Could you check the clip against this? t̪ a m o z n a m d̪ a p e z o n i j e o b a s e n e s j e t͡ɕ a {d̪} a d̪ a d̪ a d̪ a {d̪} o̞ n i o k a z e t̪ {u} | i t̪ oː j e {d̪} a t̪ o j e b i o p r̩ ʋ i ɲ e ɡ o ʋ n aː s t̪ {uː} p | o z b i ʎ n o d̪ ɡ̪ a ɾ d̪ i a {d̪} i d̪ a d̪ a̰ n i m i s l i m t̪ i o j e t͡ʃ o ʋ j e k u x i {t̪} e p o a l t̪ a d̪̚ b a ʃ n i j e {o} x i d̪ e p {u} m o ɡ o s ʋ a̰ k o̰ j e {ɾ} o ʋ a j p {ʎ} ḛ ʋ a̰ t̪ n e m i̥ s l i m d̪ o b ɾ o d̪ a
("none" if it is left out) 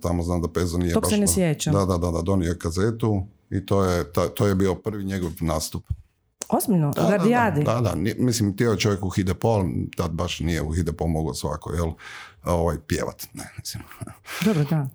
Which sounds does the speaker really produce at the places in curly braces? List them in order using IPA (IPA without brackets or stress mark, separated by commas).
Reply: d̪, d̪, u, t̪, u, d̪, d̪, u, o, l, j